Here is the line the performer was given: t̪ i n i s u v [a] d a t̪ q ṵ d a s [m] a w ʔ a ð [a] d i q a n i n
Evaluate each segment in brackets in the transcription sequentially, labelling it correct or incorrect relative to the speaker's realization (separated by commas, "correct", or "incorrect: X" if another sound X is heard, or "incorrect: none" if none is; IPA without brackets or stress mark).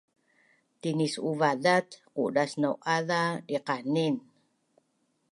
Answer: correct, incorrect: n, correct